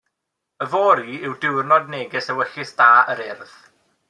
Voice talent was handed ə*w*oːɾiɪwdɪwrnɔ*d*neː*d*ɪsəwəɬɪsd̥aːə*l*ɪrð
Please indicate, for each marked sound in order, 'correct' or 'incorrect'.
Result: incorrect: v, correct, incorrect: ɡ, incorrect: ɾ

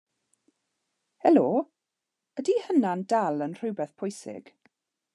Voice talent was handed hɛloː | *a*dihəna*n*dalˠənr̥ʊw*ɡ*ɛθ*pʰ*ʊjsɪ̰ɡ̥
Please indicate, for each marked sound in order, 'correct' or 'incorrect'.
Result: incorrect: ə, correct, incorrect: b, correct

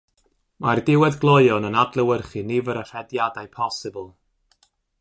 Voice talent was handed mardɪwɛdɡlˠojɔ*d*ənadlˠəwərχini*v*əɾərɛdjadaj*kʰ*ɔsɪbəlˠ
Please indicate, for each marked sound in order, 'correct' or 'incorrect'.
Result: incorrect: n, correct, incorrect: pʰ

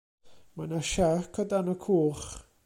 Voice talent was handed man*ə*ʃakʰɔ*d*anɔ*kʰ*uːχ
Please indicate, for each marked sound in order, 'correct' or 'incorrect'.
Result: incorrect: a, correct, correct

